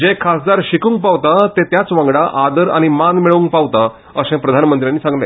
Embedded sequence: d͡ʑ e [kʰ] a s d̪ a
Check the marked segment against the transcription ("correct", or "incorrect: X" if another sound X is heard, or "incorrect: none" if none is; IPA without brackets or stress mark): correct